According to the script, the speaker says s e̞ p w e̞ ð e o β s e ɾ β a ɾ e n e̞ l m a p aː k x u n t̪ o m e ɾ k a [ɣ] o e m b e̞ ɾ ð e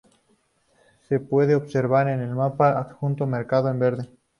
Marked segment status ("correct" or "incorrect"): incorrect